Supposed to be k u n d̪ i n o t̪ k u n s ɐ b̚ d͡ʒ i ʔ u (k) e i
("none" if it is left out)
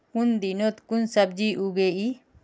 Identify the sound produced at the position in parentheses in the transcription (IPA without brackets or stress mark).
ɡ